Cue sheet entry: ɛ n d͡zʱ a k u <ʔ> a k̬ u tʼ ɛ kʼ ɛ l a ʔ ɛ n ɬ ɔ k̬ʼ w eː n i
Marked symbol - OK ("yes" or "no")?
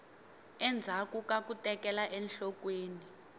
no